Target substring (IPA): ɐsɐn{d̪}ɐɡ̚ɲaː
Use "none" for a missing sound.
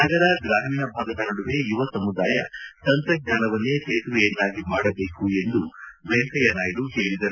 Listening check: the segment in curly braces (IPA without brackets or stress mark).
t̪